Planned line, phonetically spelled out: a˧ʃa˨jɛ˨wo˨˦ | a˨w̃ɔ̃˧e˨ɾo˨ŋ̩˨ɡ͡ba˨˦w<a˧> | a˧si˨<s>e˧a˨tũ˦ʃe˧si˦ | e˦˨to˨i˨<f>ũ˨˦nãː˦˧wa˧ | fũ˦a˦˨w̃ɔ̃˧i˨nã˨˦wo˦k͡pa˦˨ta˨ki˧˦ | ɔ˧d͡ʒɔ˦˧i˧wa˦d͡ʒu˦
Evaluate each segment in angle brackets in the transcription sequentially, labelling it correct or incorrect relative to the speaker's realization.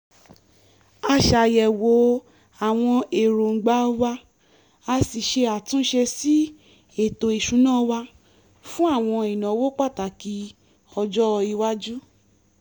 correct, incorrect: ʃ, incorrect: ʃ

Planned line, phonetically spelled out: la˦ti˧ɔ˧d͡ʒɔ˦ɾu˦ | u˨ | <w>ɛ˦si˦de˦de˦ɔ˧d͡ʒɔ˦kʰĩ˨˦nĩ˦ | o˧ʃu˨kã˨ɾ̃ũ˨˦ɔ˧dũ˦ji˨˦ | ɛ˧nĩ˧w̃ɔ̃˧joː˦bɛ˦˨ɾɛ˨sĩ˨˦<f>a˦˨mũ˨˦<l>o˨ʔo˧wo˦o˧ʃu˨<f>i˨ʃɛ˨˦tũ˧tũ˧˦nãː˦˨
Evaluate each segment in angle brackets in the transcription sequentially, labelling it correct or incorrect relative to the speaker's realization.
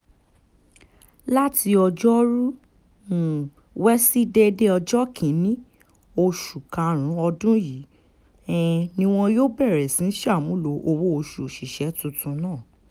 correct, incorrect: ʃ, correct, incorrect: ʃ

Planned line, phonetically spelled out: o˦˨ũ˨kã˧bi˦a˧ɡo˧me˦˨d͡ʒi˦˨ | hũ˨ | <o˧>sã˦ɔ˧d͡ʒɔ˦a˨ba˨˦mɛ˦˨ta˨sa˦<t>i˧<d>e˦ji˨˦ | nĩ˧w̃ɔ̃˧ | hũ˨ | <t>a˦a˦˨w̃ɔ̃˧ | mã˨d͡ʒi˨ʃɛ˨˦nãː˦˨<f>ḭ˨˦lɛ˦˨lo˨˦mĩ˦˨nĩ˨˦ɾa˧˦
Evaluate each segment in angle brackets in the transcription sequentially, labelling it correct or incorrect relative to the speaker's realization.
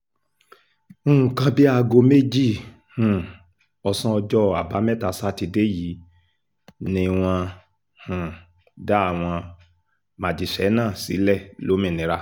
incorrect: ɔ˧, correct, correct, incorrect: d, incorrect: s

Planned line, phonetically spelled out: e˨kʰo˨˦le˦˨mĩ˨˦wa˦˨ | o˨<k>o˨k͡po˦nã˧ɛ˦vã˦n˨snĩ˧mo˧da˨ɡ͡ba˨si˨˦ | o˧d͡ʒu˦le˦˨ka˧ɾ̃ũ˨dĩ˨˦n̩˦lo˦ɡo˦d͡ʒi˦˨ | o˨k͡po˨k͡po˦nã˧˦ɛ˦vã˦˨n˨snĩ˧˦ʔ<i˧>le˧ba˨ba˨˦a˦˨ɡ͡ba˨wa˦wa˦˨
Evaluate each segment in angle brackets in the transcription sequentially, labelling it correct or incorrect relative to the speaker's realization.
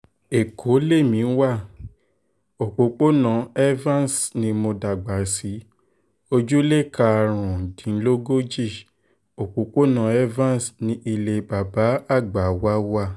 incorrect: k͡p, correct

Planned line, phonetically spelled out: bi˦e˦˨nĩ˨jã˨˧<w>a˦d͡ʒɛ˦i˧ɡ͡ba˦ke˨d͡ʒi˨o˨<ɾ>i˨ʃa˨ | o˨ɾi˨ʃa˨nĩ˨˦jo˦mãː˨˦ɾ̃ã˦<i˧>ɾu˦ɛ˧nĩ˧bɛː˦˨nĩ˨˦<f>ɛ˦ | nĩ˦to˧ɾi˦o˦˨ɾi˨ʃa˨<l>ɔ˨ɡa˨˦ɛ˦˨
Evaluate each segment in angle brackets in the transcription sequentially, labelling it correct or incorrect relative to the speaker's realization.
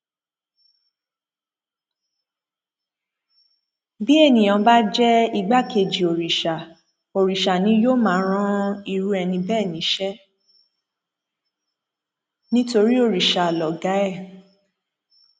incorrect: b, correct, correct, incorrect: ʃ, correct

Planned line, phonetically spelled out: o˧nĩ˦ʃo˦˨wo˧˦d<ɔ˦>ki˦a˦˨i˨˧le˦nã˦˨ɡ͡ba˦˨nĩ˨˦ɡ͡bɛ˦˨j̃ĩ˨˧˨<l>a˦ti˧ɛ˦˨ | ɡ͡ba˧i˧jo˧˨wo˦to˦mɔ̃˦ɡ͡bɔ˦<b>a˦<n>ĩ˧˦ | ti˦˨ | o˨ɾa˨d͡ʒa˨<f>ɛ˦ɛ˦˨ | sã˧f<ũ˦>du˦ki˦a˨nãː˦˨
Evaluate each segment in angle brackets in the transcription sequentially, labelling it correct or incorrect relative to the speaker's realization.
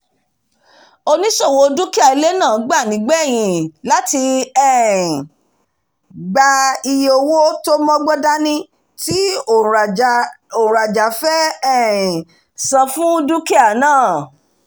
incorrect: u˦, correct, incorrect: d, correct, correct, correct

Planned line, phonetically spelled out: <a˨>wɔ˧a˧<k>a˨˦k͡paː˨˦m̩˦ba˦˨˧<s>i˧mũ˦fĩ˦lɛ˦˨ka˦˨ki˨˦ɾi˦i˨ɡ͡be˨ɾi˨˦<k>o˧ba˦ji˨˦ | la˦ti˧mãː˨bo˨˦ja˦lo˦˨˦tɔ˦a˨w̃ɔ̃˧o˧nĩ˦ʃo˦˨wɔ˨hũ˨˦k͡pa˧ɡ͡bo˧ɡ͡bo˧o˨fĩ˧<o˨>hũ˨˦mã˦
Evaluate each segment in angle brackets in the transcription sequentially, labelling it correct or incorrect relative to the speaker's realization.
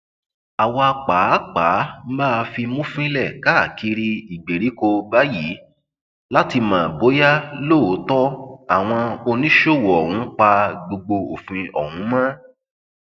correct, incorrect: k͡p, incorrect: f, correct, incorrect: ɔ˨

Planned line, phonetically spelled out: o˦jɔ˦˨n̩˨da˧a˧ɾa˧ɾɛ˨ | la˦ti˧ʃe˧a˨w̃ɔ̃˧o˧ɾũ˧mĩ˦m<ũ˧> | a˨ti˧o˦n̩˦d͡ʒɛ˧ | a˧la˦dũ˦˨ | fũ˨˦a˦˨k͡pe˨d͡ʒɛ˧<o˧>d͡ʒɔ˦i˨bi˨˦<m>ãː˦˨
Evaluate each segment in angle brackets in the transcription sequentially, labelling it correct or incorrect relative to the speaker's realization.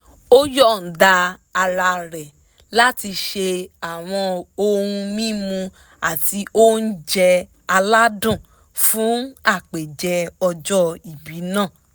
correct, incorrect: ɔ˧, incorrect: n

